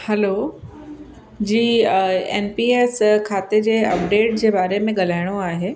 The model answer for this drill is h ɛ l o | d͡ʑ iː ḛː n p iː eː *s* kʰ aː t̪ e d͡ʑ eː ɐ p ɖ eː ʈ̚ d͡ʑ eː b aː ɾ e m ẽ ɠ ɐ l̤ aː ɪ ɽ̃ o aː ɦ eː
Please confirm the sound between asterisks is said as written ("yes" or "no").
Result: yes